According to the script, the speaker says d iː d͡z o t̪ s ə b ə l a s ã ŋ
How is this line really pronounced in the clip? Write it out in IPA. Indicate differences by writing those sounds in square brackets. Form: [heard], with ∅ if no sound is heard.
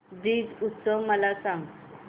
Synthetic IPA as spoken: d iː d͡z [u] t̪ s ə [m] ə l a s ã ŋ